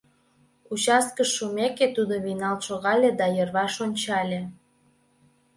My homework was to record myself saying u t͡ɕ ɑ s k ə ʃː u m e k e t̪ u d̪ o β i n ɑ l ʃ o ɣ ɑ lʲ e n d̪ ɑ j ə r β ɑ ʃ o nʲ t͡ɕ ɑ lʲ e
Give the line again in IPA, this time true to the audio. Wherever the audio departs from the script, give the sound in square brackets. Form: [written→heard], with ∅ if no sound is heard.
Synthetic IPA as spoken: u t͡ɕ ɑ s k ə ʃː u m e k e t̪ u d̪ o β i n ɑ l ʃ o ɣ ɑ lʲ e [n→∅] d̪ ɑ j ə r β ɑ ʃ o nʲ t͡ɕ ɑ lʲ e